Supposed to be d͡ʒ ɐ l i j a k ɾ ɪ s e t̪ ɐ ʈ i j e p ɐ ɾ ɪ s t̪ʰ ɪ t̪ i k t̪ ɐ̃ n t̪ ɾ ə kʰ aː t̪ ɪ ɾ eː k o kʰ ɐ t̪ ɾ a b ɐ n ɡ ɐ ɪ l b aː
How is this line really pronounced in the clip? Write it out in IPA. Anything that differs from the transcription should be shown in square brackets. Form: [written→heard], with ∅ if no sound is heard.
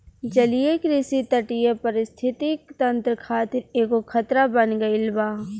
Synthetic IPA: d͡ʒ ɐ l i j [a→e] k ɾ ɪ s [e→i] t̪ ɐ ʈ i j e p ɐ ɾ ɪ s t̪ʰ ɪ t̪ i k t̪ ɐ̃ n t̪ ɾ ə kʰ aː t̪ ɪ ɾ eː k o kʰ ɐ t̪ ɾ a b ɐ n ɡ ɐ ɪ l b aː

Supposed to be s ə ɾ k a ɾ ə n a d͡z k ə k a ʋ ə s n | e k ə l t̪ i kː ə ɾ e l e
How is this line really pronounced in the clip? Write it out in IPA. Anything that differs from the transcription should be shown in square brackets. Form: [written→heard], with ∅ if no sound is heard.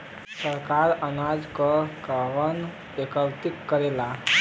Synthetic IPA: s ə ɾ k a ɾ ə n a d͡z k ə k a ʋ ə [s→∅] n | e k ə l t̪ i kː ə ɾ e l [e→a]

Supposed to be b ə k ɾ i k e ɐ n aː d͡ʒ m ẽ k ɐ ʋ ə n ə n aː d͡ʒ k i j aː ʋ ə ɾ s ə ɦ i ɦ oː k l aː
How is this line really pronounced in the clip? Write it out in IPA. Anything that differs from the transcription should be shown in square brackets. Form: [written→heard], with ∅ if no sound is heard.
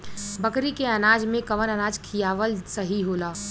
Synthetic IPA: b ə k ɾ i k e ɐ n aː d͡ʒ m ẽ k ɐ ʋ ə n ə n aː d͡ʒ [k→kʰ] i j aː ʋ ə [ɾ→l] s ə ɦ i ɦ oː [k→∅] l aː

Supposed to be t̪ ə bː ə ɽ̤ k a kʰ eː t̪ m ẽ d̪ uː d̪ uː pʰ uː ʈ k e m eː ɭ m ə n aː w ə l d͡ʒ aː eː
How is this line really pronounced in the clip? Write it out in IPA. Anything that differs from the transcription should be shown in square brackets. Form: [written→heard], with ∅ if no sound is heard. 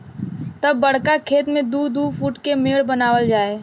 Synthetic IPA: t̪ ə bː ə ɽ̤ k a kʰ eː t̪ m ẽ d̪ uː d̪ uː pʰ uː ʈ k e m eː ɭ [m→b] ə n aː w ə l d͡ʒ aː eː

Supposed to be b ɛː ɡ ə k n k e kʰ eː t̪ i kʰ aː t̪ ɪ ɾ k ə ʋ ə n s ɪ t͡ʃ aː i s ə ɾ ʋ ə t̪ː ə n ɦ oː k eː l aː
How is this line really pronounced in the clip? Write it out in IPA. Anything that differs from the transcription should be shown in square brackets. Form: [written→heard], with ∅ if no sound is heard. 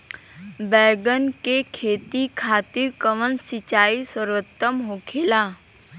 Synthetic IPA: b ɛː ɡ ə [k→∅] n k e kʰ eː t̪ i kʰ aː t̪ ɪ ɾ k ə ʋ ə n s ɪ t͡ʃ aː i s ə ɾ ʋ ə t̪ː ə [n→m] ɦ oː [k→kʰ] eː l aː

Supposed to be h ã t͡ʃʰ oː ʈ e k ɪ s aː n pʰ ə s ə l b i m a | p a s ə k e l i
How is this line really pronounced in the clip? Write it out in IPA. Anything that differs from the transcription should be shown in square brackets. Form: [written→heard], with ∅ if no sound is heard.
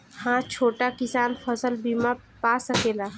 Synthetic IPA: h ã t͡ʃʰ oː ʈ [e→a] k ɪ s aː n pʰ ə s ə l b i m a | p a s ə k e l [i→a]

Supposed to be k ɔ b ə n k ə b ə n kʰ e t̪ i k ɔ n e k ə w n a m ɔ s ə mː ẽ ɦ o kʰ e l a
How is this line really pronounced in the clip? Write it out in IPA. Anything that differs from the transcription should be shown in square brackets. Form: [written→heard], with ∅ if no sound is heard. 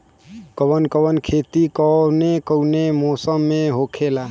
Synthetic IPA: k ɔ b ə n k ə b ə n kʰ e t̪ i k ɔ n e k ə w n [a→e] m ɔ s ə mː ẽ ɦ o kʰ e l a

